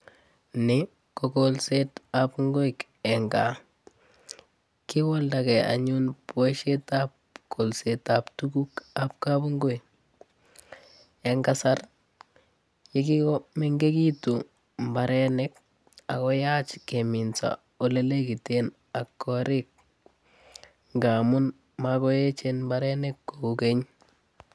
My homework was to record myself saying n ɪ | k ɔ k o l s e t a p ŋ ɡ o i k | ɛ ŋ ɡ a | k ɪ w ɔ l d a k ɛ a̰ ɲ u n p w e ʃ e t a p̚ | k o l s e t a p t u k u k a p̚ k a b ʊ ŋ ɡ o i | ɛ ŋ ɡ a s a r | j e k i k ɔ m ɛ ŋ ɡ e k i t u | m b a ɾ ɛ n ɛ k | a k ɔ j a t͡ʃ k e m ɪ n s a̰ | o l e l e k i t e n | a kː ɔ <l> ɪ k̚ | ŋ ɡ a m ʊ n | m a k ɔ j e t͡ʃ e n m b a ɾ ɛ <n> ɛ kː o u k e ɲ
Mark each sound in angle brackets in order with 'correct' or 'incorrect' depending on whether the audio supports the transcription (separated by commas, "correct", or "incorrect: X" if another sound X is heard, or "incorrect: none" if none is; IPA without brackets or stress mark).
incorrect: ɾ, correct